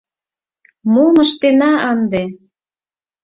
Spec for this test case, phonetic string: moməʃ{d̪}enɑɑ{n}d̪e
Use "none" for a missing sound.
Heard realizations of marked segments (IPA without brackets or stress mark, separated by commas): t̪, n